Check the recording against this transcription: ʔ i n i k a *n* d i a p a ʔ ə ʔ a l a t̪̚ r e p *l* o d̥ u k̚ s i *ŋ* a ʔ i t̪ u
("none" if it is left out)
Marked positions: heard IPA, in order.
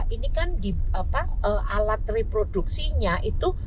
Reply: n, ɾ, ɲ

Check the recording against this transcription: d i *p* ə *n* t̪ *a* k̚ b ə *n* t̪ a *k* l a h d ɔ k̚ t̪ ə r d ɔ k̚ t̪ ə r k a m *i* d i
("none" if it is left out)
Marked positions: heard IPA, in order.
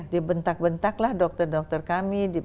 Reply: b, n, a, n, k, i

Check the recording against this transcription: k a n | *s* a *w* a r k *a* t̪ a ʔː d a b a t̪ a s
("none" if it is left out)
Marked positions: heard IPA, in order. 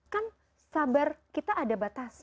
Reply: s, b, i

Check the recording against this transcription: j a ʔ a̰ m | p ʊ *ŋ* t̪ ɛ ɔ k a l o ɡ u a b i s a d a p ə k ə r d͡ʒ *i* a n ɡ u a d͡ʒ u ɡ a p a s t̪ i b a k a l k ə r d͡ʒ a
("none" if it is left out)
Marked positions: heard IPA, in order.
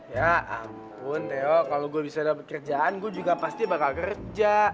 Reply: n, a

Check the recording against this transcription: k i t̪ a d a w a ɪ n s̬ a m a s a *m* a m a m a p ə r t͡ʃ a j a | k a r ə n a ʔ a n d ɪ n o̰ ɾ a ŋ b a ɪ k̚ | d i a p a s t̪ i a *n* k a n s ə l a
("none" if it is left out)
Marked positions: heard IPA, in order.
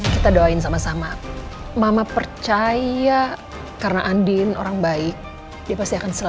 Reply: m, none

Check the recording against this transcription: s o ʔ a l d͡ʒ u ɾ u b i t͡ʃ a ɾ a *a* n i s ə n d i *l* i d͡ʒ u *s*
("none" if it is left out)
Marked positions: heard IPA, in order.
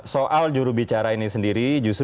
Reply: i, ɾ, s

